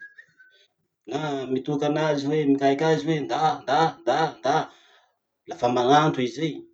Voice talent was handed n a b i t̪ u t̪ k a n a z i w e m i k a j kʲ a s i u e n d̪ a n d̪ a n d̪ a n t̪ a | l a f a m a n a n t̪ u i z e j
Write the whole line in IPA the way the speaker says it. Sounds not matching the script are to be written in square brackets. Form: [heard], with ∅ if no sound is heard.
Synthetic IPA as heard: n a [m] i t̪ u [∅] k a n a z i w e m i k a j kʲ a [z] i [w] e n d̪ a n d̪ a n d̪ a n [d̪] a | l a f a m a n a n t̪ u i z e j